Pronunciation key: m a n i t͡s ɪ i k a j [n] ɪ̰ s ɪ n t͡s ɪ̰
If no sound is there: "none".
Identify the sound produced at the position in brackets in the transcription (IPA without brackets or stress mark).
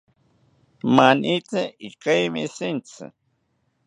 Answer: m